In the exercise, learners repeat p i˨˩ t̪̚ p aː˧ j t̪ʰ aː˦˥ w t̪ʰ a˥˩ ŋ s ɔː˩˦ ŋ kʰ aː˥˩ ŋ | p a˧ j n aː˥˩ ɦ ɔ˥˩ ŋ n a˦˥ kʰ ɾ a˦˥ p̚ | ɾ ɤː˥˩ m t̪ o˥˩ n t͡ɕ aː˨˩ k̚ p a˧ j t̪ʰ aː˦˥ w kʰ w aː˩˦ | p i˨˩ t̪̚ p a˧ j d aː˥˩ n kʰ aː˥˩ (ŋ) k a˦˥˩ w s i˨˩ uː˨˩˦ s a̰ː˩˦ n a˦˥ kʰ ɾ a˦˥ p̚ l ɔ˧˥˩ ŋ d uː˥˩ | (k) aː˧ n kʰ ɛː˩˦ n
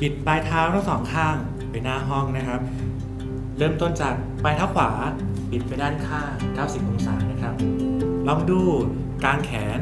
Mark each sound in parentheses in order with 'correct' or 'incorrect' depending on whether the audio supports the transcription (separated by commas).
correct, correct